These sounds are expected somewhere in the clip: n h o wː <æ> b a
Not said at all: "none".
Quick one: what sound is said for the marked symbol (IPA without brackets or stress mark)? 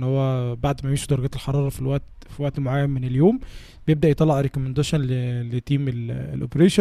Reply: æ